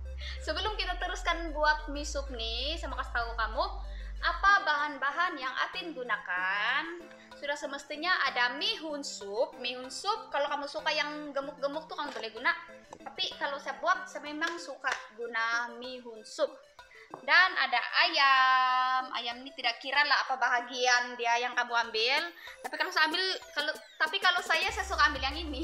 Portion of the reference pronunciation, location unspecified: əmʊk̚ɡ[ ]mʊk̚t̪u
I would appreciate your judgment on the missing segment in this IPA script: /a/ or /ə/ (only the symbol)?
ə